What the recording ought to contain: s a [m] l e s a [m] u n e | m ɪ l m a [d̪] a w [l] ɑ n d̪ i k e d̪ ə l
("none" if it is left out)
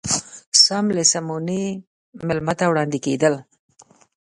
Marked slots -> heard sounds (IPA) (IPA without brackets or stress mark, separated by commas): m, m, t̪, ɽ